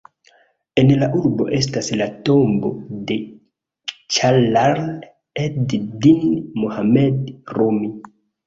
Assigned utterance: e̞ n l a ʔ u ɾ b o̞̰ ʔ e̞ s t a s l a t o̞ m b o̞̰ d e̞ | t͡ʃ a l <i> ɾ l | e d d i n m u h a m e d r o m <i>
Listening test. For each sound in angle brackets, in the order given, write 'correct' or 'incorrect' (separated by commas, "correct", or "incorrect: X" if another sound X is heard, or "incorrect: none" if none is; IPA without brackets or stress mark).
incorrect: a, correct